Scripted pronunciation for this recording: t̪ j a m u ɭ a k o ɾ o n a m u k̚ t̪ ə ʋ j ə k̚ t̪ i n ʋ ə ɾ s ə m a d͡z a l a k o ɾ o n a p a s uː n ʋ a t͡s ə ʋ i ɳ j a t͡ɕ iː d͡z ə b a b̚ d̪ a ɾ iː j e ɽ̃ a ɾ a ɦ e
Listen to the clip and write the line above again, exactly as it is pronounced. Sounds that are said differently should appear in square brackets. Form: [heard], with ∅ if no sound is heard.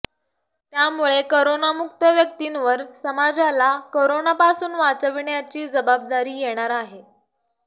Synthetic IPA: t̪ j a m u ɭ [e] k o ɾ o n a m u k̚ t̪ ə ʋ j ə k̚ t̪ i n ʋ ə ɾ s ə m a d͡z a l a k o ɾ o n a p a s uː n ʋ a t͡s ə ʋ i ɳ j a t͡ɕ iː d͡z ə b a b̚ d̪ a ɾ iː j e ɽ̃ a ɾ a ɦ e